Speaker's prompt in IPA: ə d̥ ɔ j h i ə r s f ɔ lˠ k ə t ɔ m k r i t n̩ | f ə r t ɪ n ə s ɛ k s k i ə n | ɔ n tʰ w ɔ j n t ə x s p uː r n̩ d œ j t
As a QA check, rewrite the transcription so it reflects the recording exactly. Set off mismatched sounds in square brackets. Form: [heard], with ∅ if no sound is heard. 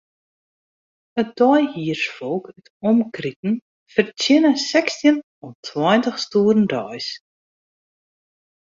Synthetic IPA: ə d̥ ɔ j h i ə r s f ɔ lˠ k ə t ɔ m k r i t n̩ | f ə r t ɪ n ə s ɛ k s [t] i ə n | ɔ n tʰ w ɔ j n t ə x s [t] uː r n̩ d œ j [s]